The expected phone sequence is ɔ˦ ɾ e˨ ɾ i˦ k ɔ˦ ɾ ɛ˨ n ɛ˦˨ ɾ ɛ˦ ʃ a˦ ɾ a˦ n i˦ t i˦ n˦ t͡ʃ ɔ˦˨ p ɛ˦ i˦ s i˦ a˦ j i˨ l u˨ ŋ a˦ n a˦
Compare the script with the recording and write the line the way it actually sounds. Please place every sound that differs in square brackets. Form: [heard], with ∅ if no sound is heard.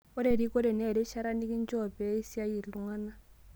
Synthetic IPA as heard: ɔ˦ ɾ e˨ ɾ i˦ k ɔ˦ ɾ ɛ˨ n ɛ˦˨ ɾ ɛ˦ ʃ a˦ ɾ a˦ n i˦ [k] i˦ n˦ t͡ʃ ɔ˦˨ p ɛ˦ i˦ s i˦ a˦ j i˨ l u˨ ŋ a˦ n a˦

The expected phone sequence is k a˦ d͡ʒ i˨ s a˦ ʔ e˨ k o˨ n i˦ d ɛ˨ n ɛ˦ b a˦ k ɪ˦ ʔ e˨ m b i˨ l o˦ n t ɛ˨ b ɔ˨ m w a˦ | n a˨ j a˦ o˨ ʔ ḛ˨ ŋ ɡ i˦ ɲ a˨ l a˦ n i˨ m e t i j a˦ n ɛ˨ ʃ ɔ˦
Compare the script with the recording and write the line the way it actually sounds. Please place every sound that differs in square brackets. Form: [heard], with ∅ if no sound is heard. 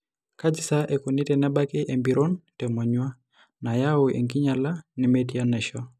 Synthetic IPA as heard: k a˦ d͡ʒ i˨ s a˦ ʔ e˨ k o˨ n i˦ [t] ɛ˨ n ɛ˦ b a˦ k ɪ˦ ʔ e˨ m b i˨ [ɾ] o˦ n t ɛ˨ [m] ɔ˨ [ɲ] w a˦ | n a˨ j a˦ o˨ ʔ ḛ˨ ŋ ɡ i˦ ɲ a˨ l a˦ n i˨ m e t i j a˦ n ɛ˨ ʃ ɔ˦

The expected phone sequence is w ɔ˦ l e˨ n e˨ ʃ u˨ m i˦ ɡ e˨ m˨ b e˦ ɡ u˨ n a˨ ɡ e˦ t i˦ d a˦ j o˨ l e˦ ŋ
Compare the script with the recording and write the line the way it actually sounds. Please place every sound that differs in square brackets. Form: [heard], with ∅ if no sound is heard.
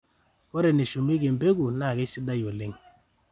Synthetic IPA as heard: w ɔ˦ [ɾ] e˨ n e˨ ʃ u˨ m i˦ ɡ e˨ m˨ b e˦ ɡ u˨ n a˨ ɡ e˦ [s] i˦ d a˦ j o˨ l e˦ ŋ

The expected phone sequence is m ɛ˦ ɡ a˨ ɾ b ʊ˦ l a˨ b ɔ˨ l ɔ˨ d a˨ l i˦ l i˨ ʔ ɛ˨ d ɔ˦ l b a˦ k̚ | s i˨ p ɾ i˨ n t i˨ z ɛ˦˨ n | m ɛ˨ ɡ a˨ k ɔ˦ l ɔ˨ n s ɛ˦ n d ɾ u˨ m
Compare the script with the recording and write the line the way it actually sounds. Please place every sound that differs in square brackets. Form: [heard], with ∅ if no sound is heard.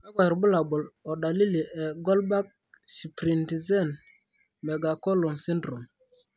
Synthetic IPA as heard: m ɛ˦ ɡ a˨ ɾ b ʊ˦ l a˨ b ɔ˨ l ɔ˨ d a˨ l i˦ l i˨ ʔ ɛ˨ [ɡ] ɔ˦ l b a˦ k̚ | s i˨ p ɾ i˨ n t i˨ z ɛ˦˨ n | m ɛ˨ ɡ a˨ k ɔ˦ l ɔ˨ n s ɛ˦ n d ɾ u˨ m

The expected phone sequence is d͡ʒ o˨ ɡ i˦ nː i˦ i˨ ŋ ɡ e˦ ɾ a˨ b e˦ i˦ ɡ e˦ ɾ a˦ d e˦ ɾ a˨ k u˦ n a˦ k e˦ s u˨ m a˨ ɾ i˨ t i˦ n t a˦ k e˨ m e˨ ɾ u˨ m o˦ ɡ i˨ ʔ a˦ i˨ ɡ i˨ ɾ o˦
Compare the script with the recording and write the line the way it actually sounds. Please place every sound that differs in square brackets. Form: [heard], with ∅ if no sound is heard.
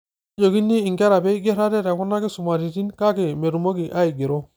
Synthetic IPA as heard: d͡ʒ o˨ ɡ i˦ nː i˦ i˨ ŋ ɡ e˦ ɾ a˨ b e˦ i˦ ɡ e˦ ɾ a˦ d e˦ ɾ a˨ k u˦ n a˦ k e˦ s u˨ m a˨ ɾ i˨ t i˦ n [k] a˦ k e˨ m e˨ ɾ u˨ m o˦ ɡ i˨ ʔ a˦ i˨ ɡ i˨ ɾ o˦

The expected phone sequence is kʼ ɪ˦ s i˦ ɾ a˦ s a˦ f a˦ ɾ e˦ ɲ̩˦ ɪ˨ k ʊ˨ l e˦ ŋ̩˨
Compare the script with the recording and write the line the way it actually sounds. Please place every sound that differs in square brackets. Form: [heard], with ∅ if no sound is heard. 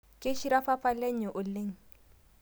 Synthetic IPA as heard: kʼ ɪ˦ [ʃ] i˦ ɾ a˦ [f] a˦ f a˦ [l] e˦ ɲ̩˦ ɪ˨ [ʔ] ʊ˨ l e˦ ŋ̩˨

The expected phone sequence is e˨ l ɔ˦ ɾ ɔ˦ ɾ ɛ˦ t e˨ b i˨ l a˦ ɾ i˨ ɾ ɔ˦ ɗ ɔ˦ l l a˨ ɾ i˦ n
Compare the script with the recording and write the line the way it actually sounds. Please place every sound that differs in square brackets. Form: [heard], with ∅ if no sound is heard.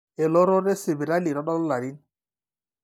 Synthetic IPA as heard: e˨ l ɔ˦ ɾ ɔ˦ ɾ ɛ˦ [s] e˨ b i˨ [ɾ] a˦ [l] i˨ ɾ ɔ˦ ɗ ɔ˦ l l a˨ ɾ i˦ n

